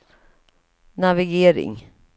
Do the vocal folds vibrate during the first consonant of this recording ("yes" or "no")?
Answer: yes